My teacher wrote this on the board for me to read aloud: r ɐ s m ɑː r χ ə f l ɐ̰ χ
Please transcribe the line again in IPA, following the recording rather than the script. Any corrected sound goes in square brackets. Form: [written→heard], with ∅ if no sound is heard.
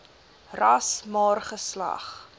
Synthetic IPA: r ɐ s m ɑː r χ ə [f→s] l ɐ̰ χ